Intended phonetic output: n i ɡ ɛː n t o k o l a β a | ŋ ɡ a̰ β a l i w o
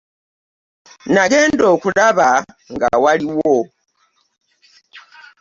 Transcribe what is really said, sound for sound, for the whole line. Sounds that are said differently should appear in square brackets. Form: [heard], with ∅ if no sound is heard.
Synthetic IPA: n [a] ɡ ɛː n [d] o k [u] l a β a | ŋ ɡ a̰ [w] a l i w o